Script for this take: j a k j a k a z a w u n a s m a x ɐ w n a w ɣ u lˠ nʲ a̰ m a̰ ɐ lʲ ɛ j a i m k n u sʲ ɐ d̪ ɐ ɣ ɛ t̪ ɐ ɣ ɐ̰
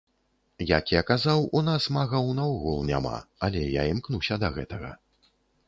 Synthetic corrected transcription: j a k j a k a z a w u n a s m a ɣ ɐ w n a w ɣ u lˠ nʲ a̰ m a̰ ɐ lʲ ɛ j a i m k n u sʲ ɐ d̪ ɐ ɣ ɛ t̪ ɐ ɣ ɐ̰